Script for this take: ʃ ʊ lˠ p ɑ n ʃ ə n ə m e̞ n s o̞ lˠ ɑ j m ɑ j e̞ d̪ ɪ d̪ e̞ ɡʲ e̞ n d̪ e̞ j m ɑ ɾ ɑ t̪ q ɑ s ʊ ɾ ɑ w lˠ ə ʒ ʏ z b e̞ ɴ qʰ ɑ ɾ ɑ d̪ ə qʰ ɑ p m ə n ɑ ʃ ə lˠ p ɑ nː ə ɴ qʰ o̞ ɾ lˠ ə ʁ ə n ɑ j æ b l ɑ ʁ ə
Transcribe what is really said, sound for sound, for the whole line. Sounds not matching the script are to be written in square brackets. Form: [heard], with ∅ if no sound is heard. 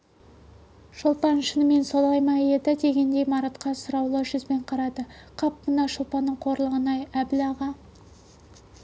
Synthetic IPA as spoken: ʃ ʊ lˠ p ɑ n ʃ ə n ə m e̞ n s o̞ lˠ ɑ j m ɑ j e̞ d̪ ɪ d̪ e̞ ɡʲ e̞ n d̪ e̞ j m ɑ ɾ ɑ t̪ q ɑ s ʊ ɾ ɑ w lˠ ə ʒ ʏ z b e̞ ɴ qʰ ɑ ɾ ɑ d̪ ə qʰ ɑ p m ə n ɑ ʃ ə lˠ p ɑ nː ə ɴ qʰ o̞ ɾ lˠ ə ʁ ə n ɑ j æ b l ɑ ʁ [ɑ]